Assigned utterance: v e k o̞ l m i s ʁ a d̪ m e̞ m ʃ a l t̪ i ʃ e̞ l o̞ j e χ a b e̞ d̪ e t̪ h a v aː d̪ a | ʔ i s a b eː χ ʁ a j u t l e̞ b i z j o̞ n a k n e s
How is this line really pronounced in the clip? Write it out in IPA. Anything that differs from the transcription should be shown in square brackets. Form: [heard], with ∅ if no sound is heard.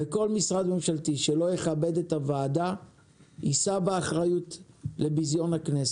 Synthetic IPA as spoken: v e k o̞ l m i s ʁ a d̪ m e̞ m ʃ a l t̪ i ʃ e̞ l o̞ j e χ a b e̞ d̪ e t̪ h a v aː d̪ a | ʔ i s a b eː χ ʁ a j u t l e̞ b i z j o̞ n a k n e s